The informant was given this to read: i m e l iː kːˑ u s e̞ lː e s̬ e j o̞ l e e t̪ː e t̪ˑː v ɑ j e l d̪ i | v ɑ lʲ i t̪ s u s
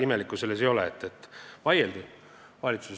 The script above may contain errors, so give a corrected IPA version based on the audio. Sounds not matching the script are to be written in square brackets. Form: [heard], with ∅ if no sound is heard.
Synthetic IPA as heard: i m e l [i] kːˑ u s e̞ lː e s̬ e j o̞ l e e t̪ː e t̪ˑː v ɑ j e l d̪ i | v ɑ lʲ i t̪ s u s